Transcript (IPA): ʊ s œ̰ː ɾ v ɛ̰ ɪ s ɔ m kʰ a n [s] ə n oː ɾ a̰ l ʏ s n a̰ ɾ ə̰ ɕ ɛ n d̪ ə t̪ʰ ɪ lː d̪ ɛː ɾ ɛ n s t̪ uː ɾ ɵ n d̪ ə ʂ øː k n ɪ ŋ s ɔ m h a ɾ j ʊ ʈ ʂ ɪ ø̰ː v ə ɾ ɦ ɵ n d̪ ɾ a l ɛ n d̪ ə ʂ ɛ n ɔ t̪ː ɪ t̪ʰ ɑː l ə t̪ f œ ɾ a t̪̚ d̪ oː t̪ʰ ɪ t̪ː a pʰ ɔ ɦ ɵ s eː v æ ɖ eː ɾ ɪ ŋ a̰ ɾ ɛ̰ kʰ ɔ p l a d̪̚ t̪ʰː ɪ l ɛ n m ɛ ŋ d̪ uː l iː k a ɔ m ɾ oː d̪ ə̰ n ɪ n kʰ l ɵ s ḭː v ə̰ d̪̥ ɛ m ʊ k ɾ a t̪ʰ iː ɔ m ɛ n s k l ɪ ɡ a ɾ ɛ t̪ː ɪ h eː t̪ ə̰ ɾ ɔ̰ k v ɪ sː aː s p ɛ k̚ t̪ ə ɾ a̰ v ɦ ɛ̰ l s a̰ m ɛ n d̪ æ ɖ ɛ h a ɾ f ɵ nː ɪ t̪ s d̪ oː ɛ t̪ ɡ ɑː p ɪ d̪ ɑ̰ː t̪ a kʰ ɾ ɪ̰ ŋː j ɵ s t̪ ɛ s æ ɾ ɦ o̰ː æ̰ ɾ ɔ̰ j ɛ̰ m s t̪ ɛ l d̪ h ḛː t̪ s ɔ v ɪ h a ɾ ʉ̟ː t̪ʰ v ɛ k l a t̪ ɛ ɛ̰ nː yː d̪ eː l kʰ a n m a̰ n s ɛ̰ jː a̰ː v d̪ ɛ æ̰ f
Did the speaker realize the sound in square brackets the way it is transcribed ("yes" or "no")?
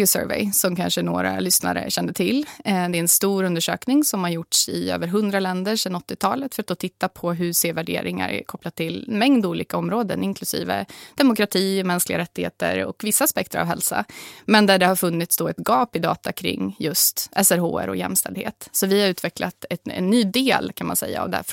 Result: no